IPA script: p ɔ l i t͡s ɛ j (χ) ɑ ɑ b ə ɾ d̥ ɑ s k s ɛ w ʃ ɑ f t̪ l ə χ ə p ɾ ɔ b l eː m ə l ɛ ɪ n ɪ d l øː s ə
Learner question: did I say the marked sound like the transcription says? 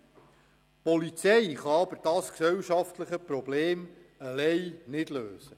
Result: yes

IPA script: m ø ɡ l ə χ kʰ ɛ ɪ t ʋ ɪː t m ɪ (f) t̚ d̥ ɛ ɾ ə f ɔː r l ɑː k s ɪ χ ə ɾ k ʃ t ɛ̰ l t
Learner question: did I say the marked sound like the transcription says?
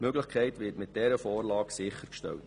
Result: no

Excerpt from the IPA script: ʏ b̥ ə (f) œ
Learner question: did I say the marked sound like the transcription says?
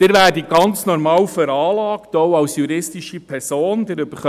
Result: no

